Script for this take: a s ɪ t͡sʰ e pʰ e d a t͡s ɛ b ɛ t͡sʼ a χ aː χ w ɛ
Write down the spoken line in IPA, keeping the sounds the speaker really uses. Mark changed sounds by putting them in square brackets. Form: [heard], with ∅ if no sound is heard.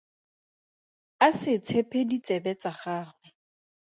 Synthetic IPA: a s ɪ t͡sʰ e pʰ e d [i] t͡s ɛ b ɛ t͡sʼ a χ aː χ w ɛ